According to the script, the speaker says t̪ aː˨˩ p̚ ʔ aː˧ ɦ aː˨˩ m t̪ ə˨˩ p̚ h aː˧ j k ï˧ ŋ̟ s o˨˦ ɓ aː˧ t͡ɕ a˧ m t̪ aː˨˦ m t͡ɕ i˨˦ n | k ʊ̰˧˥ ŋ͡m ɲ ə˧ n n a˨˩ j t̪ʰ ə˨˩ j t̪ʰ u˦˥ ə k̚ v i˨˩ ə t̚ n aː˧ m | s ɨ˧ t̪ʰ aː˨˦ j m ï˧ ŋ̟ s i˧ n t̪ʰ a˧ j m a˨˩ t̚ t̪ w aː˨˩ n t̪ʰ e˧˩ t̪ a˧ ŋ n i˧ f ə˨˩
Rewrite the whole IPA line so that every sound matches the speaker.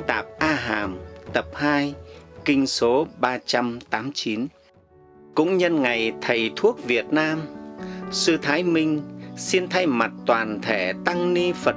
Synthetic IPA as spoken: t̪ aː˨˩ p̚ ʔ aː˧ ɦ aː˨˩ m t̪ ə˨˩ p̚ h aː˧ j k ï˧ ŋ̟ s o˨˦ ɓ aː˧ t͡ɕ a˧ m t̪ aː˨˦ m t͡ɕ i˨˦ n | k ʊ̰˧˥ ŋ͡m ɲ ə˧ n ŋ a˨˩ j t̪ʰ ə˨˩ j t̪ʰ u˦˥ ə k̚ v i˨˩ ə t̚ n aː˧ m | s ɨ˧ t̪ʰ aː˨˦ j m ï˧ ŋ̟ s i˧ n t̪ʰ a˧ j m a˨˩ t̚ t̪ w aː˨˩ n t̪ʰ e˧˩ t̪ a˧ ŋ n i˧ f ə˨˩